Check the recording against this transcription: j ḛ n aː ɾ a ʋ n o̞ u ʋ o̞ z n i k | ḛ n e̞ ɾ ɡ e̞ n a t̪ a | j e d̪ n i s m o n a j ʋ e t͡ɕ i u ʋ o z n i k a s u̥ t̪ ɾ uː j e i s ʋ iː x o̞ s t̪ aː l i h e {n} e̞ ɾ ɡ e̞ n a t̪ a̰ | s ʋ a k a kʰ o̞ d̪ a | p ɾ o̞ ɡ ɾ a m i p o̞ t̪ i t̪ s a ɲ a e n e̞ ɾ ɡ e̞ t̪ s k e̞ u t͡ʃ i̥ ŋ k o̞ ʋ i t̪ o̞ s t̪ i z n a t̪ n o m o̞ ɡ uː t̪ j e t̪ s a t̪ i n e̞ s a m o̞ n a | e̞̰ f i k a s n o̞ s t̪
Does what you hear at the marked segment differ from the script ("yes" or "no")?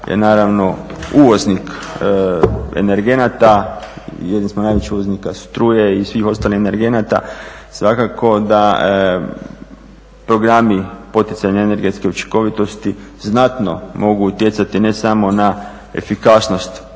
no